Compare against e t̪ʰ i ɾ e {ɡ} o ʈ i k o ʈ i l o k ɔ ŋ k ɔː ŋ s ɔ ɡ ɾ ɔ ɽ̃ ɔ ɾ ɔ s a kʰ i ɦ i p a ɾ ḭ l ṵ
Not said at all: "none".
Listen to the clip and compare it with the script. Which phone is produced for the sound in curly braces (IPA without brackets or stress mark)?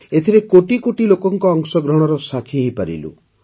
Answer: k